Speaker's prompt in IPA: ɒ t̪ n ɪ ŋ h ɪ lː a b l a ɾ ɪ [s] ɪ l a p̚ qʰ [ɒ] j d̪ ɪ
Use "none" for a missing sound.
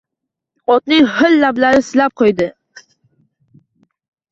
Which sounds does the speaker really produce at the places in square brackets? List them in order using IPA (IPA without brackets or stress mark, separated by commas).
s, o